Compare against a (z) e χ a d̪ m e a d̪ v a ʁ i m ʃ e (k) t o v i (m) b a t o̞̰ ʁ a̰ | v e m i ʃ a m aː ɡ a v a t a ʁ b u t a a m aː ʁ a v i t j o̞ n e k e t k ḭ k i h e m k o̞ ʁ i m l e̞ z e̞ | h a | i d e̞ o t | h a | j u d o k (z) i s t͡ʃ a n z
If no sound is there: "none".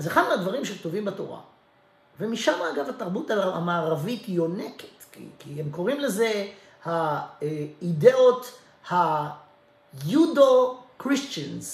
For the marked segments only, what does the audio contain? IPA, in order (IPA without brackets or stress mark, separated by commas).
z, k, m, ʁ